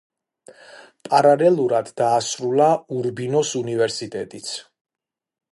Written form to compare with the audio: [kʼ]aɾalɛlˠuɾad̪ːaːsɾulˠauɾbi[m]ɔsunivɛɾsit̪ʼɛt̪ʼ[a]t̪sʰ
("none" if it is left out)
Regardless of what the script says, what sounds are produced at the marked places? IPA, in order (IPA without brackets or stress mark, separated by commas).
pʼ, n, i